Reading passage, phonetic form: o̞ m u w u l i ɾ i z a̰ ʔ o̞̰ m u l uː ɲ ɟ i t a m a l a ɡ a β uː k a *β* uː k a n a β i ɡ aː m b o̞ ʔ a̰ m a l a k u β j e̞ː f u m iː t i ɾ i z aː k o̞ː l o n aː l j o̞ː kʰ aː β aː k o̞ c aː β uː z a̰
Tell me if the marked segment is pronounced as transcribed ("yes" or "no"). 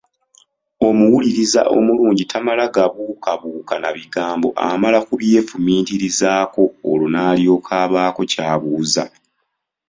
yes